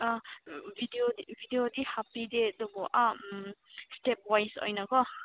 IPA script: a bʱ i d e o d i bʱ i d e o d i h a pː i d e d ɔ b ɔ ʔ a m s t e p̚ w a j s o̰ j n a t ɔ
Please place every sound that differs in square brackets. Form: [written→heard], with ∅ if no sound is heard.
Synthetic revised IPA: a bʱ i d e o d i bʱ i d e o d i h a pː i d e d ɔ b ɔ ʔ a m s t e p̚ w a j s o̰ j n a [t→k] ɔ